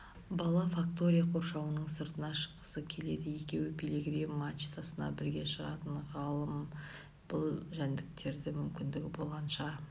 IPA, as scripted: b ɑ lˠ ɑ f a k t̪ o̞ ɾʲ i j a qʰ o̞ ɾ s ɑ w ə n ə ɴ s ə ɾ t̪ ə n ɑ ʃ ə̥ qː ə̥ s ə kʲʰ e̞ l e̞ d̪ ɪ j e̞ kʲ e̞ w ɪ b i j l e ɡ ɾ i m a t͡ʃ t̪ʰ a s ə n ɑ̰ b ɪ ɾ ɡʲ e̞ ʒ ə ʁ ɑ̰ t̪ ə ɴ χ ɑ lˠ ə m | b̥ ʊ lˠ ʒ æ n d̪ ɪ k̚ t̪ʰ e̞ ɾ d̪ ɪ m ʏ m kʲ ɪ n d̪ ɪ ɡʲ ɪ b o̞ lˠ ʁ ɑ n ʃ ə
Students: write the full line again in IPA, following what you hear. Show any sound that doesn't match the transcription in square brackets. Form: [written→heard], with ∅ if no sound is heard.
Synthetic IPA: b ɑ lˠ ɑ f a k t̪ o̞ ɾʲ i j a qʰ o̞ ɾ [s→ʃ] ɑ w ə n ə ɴ s ə ɾ t̪ ə n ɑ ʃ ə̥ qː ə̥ s ə kʲʰ e̞ l e̞ d̪ ɪ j e̞ kʲ e̞ w ɪ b i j l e ɡ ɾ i m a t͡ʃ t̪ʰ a s ə n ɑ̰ b ɪ ɾ ɡʲ e̞ [ʒ→ʃ] ə ʁ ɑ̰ t̪ ə ɴ [χ→ʁ] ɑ lˠ ə m | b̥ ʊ lˠ ʒ æ n d̪ ɪ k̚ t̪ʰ e̞ ɾ d̪ ɪ m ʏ m kʲ ɪ n d̪ ɪ ɡʲ ɪ b o̞ lˠ ʁ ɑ n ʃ [ə→ɑ]

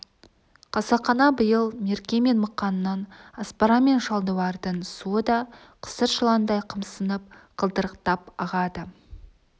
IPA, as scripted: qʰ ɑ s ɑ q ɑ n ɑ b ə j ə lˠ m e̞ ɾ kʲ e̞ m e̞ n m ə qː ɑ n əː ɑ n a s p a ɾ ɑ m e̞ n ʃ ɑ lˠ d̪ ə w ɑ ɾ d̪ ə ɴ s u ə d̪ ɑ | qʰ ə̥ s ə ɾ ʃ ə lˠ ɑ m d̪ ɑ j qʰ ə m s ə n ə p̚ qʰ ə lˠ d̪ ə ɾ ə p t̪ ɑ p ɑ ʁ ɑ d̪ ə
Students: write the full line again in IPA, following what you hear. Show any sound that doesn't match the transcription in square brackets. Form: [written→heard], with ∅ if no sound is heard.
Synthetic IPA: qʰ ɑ s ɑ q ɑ n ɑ b ə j ə lˠ m e̞ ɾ kʲ e̞ m e̞ n m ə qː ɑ n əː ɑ n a s p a ɾ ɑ m e̞ n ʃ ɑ lˠ d̪ ə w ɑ ɾ d̪ ə ɴ s u ə d̪ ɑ | qʰ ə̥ s ə ɾ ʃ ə lˠ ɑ [m→n] d̪ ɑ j qʰ ə m s ə n ə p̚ qʰ ə lˠ d̪ ə ɾ ə [p→q] t̪ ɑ p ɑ ʁ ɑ d̪ ə

